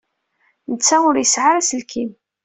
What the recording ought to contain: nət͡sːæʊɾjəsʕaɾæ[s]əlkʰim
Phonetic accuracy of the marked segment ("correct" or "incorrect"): correct